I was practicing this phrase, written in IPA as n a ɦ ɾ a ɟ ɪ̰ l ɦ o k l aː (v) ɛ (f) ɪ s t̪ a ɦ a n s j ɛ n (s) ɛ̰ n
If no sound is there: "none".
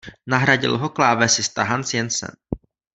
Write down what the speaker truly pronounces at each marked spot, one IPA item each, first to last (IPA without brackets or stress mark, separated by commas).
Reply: v, s, s